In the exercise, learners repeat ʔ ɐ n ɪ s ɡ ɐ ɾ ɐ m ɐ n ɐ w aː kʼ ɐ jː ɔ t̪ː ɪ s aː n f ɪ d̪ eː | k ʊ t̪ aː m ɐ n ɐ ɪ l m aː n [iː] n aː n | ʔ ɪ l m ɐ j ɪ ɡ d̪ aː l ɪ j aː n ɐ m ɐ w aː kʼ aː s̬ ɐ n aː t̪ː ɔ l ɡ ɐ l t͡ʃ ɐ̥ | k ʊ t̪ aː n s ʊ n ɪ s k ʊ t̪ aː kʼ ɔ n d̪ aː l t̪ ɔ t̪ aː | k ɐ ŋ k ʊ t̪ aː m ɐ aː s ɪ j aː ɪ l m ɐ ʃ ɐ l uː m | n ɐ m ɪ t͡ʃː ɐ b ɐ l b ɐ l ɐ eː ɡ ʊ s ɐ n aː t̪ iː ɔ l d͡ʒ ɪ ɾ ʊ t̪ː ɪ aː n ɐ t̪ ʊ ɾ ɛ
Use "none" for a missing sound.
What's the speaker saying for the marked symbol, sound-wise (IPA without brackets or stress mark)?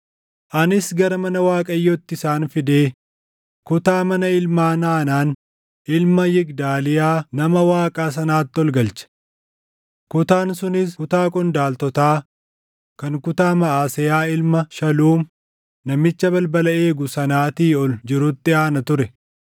aː